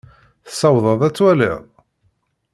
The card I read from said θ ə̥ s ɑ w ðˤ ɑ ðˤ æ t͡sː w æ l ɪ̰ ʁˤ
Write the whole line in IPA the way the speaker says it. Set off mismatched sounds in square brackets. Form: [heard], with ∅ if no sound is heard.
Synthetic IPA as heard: θ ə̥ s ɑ w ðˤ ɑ ðˤ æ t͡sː w æ l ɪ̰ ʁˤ